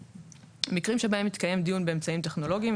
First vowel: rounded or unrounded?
unrounded